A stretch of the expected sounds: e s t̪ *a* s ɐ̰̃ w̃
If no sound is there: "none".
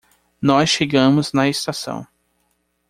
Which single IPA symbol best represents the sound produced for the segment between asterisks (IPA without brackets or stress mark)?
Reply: a